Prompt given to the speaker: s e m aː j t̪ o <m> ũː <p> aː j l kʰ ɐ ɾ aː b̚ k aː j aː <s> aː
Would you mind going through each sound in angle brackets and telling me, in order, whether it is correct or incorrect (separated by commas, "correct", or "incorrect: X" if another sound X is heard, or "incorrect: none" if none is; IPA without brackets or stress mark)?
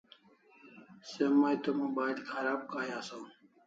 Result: correct, incorrect: b, correct